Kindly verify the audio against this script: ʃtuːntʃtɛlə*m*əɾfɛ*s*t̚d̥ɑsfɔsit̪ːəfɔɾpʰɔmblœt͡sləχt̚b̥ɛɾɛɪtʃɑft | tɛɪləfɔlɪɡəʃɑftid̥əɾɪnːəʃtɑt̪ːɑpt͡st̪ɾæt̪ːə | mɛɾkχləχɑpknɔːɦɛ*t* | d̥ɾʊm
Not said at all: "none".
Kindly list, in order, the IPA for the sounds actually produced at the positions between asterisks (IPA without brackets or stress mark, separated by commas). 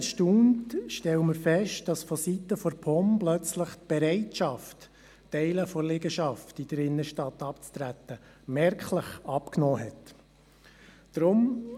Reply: m, ʃ, t